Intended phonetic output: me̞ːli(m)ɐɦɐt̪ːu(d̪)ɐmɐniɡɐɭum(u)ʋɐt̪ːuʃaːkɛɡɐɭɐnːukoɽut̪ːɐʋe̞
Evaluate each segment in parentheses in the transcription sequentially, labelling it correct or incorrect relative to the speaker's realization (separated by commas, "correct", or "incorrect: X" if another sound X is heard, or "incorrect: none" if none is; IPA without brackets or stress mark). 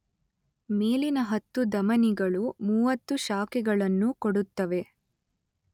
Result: incorrect: n, correct, incorrect: uː